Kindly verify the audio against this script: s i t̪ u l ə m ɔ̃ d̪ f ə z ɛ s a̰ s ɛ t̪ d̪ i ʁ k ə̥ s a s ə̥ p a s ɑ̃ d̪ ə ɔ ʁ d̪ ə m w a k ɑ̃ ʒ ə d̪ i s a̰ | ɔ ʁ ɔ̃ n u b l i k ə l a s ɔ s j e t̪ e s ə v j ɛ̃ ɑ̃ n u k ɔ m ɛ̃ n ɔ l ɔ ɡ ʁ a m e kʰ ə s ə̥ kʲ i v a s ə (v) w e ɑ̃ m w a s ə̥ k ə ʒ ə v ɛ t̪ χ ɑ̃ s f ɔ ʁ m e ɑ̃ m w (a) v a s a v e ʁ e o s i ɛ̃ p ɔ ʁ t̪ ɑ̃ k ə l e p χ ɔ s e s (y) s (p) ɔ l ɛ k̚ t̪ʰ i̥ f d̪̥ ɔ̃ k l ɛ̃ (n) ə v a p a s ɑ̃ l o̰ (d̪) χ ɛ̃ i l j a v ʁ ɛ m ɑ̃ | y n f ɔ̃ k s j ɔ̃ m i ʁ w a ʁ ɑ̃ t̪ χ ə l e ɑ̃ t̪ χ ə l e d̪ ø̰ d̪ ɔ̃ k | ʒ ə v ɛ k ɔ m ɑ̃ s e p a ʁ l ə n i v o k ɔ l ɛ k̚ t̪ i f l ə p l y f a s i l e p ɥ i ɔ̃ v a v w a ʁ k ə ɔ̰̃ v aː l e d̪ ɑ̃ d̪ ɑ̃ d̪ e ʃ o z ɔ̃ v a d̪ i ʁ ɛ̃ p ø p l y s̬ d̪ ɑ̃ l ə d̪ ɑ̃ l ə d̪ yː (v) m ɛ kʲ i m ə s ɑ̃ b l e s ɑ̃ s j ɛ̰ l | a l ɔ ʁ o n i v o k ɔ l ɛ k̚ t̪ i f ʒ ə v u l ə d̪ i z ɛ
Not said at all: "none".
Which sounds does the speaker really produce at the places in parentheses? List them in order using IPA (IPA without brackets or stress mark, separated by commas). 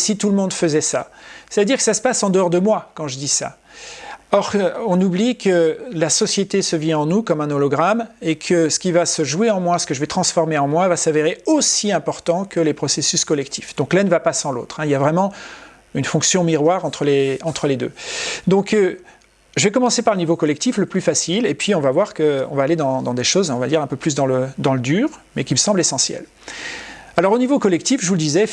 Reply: ʒ, a, y, k, n, t̪, ʁ